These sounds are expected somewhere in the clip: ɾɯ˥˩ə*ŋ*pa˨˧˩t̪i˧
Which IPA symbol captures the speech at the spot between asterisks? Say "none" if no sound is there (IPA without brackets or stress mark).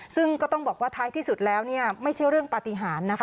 ŋ